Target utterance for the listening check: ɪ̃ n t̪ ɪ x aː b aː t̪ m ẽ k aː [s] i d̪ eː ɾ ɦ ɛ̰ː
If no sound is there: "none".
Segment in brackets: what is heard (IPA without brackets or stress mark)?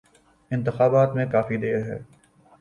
f